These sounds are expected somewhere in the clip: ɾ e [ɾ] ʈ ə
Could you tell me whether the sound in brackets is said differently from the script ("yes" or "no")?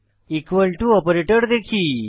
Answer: yes